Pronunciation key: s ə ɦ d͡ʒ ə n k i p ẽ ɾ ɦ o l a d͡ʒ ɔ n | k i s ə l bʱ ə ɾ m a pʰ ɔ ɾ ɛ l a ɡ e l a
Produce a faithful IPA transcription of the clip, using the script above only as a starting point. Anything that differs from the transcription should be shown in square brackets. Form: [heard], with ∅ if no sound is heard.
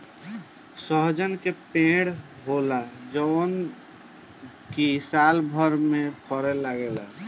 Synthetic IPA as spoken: s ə ɦ d͡ʒ ə n k [e] p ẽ [ɽ] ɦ o l a d͡ʒ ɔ n | k i s [a] l bʱ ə ɾ m [e] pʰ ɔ ɾ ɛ l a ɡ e l a